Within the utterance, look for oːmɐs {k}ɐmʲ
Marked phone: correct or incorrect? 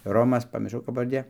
incorrect